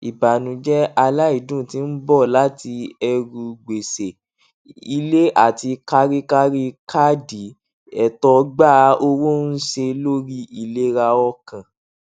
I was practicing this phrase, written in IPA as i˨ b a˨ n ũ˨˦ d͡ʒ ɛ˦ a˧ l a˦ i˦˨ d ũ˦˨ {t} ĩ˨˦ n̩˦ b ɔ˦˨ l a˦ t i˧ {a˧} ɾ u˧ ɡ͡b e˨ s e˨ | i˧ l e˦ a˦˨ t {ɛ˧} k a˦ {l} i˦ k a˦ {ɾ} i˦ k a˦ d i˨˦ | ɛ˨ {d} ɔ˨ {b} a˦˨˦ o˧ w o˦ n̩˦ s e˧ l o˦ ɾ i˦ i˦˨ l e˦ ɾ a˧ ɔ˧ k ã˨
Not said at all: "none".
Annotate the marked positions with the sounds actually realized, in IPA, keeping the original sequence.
t, ɛ˧, i˧, ɾ, ɾ, t, ɡ͡b

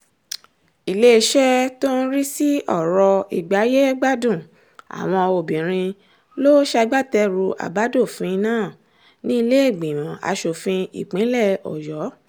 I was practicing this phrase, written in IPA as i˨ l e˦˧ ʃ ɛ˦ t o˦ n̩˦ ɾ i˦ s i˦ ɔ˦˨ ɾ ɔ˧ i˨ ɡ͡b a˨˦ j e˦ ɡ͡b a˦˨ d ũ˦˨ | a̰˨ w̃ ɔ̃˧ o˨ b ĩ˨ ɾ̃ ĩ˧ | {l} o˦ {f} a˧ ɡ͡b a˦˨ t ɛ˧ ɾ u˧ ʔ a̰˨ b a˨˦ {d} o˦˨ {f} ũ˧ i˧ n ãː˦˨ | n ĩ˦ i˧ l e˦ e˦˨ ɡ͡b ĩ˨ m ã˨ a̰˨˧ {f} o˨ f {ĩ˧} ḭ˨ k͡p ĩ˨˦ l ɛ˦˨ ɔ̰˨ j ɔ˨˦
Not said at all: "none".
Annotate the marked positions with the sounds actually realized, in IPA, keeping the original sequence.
l, ʃ, d, f, ʃ, ĩ˧

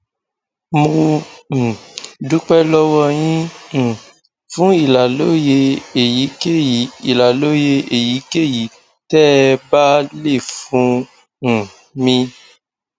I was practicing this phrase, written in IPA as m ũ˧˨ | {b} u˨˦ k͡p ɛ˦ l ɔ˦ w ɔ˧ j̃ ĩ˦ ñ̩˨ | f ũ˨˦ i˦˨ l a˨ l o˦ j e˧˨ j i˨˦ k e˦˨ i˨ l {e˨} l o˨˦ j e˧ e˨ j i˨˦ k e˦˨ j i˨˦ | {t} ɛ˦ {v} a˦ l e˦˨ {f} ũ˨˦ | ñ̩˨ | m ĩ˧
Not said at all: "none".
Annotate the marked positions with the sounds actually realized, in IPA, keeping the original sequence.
d, a˨, t, b, f

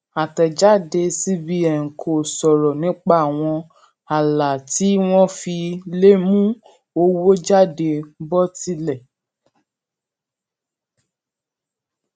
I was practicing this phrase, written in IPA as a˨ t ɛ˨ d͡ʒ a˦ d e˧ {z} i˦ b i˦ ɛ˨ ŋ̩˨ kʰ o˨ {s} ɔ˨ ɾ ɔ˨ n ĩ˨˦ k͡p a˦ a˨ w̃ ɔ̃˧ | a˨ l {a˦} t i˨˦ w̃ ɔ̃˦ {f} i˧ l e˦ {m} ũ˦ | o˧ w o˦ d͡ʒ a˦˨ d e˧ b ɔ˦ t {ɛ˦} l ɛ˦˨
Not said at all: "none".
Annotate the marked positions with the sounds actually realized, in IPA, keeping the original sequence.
s, s, a˨, f, m, i˦

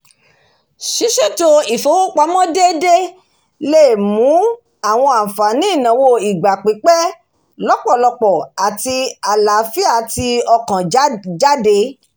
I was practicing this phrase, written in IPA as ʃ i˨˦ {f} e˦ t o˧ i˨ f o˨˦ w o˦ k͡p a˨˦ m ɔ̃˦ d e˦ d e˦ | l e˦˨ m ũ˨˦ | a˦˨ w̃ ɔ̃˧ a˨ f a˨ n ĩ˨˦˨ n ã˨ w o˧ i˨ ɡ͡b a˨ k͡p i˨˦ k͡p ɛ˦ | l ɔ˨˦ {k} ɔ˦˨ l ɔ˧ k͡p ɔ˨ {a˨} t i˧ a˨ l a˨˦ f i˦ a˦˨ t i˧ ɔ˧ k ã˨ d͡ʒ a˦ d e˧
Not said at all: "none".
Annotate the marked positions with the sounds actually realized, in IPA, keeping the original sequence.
ʃ, k͡p, a˨

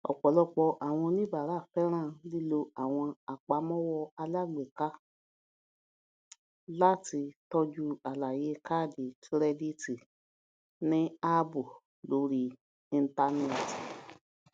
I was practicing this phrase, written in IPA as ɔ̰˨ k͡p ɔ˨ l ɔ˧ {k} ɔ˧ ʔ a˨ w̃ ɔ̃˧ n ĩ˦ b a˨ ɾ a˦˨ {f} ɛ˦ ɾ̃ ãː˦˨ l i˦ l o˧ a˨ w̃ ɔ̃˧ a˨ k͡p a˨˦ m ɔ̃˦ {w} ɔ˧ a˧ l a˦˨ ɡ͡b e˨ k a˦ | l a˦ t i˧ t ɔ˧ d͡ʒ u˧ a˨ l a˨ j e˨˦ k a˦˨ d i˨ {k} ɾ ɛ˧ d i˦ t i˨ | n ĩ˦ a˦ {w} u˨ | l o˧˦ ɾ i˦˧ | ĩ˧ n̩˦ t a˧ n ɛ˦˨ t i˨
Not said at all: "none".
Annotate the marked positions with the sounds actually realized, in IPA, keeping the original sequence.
k͡p, f, w, t, b

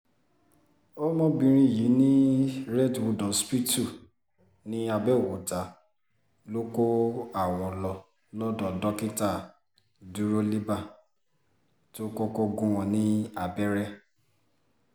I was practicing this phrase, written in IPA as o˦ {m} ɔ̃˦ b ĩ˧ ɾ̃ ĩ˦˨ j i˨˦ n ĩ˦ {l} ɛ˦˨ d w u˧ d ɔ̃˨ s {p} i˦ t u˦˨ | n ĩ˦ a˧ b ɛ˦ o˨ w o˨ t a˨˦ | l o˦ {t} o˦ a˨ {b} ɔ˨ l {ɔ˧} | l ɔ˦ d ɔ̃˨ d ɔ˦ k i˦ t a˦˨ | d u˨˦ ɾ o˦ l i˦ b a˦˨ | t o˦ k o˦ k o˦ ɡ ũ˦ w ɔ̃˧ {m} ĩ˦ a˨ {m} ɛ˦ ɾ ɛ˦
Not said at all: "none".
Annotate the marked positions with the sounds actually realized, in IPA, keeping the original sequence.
m, ɾ, p, k, w, ɔ˧, n, b

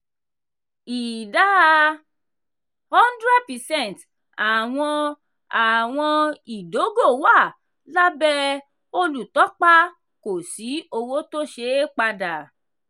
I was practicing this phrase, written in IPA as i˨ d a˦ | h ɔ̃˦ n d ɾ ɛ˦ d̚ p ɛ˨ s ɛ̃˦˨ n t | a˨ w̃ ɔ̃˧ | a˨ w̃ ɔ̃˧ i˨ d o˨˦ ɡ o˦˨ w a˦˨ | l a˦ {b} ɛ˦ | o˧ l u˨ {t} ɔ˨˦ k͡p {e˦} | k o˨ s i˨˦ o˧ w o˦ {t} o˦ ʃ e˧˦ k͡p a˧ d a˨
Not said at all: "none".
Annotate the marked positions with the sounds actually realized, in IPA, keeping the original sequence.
b, t, a˦, t

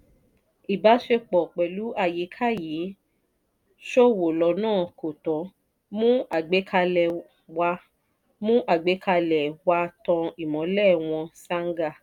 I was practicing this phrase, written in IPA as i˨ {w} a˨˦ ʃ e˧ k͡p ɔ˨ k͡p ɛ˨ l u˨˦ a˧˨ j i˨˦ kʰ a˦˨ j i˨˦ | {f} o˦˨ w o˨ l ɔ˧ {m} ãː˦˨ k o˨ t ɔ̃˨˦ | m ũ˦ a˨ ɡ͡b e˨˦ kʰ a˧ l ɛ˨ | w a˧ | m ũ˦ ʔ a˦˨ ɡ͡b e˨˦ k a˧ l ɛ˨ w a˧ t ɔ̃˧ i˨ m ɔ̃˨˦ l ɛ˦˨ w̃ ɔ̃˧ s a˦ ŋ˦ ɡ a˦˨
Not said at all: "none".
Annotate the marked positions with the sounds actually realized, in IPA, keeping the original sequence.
b, ʃ, n

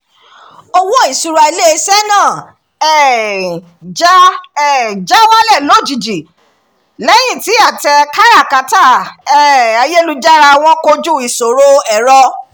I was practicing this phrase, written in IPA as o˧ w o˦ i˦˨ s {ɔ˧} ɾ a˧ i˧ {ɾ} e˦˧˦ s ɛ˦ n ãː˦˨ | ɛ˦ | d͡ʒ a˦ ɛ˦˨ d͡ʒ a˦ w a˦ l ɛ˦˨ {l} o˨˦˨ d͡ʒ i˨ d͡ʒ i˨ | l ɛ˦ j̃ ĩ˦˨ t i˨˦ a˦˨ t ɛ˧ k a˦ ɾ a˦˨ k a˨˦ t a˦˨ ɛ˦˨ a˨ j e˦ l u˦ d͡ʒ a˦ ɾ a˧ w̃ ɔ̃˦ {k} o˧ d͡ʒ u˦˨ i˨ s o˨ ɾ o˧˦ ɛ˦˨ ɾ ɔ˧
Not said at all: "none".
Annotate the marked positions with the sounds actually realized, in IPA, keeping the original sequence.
u˧, l, l, k

